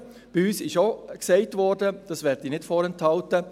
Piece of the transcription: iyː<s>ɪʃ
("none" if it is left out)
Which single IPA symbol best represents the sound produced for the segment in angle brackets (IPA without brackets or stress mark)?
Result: s